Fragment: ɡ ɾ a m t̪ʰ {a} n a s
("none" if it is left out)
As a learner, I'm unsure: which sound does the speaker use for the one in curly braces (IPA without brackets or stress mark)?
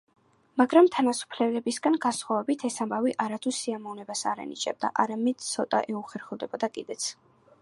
a